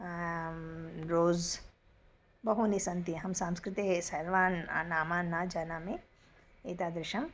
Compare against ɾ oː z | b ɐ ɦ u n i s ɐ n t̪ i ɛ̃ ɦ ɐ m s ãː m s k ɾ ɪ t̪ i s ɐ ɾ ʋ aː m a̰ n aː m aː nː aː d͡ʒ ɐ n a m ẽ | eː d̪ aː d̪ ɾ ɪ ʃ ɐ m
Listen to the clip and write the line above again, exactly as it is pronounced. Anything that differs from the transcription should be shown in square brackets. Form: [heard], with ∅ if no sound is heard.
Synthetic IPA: ɾ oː z | b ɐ ɦ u n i s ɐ n t̪ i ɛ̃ ɦ ɐ m s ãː m s k ɾ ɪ t̪ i s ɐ ɾ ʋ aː [n] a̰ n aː m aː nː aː d͡ʒ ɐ n a m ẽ | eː [t̪] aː d̪ ɾ ɪ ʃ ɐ m